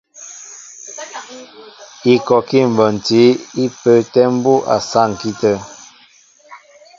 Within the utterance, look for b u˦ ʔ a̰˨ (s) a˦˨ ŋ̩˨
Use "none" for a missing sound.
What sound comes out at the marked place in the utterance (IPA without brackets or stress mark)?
s